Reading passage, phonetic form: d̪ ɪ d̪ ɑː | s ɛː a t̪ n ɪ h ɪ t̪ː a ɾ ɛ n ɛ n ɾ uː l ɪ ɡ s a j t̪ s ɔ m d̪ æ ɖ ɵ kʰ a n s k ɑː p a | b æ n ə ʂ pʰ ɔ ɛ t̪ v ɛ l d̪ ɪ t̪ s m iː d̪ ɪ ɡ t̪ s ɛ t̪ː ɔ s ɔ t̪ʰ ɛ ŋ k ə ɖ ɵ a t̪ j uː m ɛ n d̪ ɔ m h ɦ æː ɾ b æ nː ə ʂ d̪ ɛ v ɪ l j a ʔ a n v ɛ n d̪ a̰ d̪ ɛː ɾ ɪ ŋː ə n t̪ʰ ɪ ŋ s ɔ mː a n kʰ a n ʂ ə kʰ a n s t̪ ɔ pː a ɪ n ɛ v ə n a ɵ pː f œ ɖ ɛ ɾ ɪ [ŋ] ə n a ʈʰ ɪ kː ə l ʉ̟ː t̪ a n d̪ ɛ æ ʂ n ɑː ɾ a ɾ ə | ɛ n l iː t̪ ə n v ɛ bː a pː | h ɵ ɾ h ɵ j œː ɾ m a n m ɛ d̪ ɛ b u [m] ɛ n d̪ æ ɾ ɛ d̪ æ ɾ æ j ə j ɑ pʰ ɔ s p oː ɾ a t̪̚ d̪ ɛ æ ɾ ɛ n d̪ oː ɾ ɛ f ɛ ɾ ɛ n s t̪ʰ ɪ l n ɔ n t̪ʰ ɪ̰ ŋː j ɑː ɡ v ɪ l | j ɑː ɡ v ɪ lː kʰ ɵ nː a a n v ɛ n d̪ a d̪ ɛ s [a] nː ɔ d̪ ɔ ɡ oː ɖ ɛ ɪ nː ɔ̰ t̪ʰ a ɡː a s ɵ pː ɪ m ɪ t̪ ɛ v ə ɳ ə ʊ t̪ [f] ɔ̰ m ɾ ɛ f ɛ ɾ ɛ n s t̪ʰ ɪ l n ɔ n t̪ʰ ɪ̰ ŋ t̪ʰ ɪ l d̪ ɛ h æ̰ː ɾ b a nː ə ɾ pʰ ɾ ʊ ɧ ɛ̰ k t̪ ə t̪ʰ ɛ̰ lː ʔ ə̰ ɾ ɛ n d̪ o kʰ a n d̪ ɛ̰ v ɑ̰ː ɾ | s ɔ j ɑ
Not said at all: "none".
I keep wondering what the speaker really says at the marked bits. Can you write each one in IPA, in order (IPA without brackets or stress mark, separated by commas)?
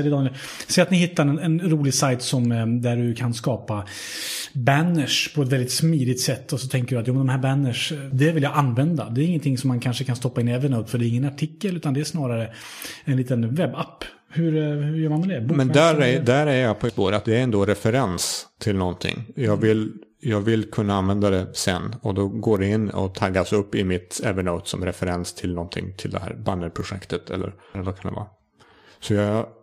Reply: ŋː, m, ɛ, s